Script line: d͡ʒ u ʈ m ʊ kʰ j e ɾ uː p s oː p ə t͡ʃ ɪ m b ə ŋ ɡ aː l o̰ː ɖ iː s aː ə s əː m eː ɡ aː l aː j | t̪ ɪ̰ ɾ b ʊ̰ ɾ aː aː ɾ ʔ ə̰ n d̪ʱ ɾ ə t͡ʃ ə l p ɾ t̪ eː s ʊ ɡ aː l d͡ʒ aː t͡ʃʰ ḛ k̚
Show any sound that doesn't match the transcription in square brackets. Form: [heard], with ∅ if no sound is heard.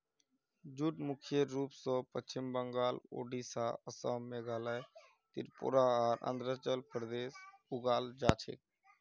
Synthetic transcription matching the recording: d͡ʒ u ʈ m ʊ kʰ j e ɾ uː p s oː p ə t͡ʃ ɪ m b ə ŋ ɡ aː l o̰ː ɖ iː s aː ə s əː m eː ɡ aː l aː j | t̪ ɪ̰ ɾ [p] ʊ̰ ɾ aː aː ɾ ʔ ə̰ n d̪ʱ ɾ ə t͡ʃ ə l p ɾ [d̪] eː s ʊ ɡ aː l d͡ʒ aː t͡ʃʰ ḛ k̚